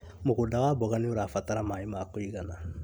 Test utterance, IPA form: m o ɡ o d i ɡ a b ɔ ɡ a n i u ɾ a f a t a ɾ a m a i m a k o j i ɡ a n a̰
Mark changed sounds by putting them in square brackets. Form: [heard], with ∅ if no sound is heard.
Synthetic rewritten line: m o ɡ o d [a] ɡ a b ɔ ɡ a n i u ɾ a f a t a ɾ a m a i m a k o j i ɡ a n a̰